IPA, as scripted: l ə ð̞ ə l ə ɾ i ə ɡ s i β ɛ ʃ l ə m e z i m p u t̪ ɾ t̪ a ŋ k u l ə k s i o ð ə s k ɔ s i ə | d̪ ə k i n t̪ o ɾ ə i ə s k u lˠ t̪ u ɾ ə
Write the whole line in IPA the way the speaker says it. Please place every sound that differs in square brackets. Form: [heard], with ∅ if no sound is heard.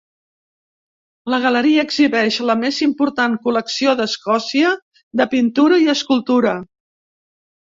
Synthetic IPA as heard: l ə [ɣ̞] ə l ə ɾ i [əː] ɡ [z] i β ɛ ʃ l ə m e z i m p u [∅] ɾ t̪ a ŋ k u l ə k s i o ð ə s k ɔ s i ə | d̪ ə [p] i n t̪ [u] ɾ ə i ə s k u lˠ t̪ u ɾ ə